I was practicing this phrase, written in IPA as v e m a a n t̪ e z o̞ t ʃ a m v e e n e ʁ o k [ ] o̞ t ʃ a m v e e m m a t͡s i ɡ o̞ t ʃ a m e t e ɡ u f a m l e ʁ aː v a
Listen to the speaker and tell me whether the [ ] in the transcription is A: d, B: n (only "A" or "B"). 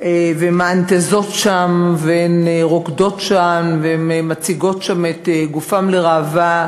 A